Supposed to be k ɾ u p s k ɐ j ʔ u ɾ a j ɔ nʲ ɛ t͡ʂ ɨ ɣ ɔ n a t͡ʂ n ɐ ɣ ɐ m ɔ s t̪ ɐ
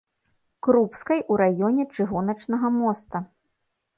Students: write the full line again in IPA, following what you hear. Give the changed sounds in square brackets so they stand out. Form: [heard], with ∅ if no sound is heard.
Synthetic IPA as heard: k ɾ u p s k ɐ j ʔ u ɾ a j ɔ nʲ ɛ t͡ʂ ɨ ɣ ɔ n [ɐ] t͡ʂ n ɐ ɣ ɐ m ɔ s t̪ ɐ